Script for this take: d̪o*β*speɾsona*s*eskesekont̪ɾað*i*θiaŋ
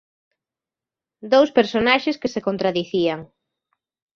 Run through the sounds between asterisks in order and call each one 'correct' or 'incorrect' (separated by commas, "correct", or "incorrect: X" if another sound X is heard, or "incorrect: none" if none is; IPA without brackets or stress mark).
incorrect: w, incorrect: ʃ, correct